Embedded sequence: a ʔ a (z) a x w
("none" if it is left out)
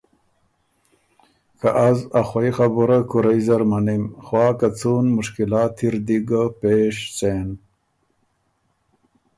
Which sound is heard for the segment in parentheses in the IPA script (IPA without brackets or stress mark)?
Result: z